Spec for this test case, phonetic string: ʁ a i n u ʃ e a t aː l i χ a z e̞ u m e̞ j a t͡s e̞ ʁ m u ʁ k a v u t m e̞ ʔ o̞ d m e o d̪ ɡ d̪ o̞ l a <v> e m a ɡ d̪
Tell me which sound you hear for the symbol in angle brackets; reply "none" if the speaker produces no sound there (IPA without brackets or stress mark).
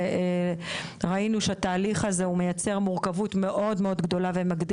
v